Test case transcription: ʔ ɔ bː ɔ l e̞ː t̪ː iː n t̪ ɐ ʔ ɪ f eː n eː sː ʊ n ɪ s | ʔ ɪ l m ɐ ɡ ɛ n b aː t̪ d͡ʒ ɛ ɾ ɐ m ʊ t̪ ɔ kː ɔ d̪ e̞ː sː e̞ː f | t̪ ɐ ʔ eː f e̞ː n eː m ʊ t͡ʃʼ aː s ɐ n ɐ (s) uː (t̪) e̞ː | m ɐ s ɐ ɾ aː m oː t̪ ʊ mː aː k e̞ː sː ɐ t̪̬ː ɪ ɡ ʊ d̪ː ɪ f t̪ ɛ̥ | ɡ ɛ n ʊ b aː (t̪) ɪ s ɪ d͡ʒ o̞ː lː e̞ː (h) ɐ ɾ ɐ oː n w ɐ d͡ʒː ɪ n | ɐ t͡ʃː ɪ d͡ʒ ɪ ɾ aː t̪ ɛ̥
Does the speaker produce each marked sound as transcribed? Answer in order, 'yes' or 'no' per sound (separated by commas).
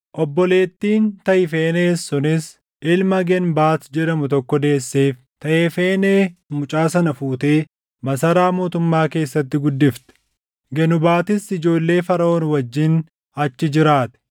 no, yes, yes, no